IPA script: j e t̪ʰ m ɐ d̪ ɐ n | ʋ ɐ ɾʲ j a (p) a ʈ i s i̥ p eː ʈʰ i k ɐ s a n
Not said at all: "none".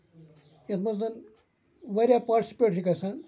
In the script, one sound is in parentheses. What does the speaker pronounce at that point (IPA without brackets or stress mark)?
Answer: p